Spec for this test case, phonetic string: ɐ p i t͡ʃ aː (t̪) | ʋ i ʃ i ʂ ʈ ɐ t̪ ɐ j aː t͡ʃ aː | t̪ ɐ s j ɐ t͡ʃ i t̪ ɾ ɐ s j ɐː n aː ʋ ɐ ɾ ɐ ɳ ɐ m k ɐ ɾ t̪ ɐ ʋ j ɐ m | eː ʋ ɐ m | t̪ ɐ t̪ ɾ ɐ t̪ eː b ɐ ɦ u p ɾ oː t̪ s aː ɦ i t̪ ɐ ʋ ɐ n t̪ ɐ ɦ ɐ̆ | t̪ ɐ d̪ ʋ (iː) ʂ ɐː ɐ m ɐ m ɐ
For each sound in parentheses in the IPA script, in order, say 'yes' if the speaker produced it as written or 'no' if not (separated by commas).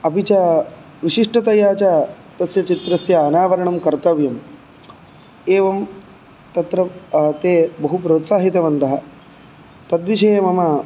no, no